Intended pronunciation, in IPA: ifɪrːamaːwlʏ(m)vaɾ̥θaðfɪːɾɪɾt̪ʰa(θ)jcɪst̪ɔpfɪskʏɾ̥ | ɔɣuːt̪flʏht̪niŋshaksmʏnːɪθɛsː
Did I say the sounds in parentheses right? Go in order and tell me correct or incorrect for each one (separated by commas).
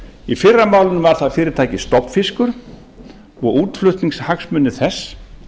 incorrect, incorrect